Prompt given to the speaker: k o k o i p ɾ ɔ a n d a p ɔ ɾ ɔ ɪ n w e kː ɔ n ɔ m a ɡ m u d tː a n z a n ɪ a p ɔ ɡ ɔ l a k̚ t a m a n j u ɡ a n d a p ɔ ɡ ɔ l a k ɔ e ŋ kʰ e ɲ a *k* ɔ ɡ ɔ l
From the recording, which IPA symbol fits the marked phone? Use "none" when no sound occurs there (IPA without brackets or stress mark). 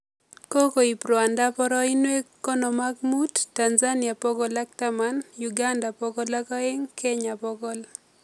p